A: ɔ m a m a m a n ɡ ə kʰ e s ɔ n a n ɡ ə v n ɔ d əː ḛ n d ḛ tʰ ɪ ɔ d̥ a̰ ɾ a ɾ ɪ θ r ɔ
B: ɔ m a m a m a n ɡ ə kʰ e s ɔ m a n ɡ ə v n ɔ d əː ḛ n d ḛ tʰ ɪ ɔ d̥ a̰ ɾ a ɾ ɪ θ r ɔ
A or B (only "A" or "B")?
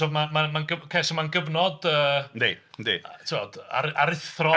B